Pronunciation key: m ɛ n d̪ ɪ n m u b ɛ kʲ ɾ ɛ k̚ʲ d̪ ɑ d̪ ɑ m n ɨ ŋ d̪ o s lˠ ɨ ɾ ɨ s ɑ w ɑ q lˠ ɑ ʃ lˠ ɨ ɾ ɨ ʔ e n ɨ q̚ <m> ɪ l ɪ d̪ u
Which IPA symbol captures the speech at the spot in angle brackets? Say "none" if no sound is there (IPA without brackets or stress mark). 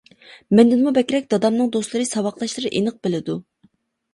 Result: b